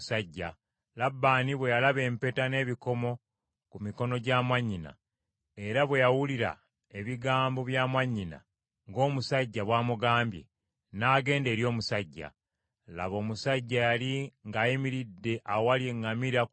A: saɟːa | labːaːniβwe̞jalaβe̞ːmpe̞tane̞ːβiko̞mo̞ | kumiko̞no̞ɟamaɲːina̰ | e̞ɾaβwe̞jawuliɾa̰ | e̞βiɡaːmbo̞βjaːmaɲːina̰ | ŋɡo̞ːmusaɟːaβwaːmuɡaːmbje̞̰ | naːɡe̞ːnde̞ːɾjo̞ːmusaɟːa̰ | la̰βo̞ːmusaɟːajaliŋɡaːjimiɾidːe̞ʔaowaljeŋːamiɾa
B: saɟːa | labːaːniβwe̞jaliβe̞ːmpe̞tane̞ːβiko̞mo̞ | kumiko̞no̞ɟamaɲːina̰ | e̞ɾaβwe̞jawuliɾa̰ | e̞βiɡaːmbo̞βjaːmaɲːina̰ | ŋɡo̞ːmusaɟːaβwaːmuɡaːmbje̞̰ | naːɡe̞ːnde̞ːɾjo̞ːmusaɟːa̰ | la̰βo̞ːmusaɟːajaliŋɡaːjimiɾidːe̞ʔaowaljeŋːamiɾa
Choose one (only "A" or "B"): A